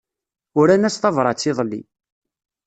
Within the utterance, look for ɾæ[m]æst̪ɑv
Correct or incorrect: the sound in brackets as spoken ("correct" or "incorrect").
incorrect